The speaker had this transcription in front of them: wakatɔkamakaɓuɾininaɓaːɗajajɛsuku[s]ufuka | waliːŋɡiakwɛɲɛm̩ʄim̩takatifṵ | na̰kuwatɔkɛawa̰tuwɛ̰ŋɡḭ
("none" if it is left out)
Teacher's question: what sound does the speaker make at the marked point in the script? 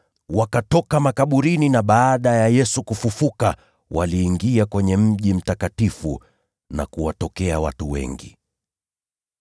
f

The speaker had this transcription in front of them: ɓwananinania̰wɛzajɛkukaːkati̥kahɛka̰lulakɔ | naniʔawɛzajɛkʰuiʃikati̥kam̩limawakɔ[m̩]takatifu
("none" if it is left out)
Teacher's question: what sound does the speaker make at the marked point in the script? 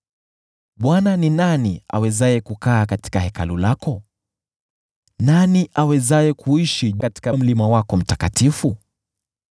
m̩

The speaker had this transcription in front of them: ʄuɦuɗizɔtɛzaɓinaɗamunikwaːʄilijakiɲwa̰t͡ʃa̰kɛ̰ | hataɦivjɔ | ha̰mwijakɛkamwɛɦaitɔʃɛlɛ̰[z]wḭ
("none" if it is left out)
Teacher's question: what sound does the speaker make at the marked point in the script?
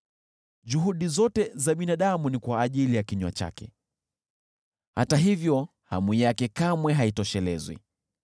z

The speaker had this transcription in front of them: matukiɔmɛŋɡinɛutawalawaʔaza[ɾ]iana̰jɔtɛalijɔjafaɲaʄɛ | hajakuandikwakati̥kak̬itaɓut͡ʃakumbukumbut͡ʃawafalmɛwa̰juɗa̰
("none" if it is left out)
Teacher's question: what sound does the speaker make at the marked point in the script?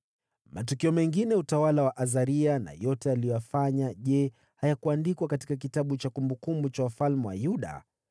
ɾ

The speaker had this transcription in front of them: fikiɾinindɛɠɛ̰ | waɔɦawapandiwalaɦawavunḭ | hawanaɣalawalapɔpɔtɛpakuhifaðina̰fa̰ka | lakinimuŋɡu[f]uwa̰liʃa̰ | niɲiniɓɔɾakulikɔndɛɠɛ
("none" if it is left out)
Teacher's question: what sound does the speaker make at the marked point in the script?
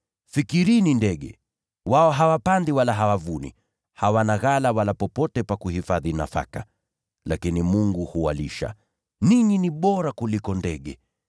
h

